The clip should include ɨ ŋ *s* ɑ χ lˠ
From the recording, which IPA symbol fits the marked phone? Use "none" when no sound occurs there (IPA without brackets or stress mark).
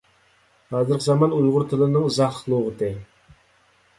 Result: z